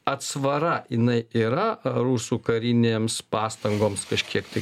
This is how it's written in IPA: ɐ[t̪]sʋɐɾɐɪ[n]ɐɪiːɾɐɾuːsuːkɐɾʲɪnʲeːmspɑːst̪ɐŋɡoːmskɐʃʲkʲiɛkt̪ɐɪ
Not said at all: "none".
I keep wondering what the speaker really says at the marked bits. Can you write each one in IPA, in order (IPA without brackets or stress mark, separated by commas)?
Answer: t̪, n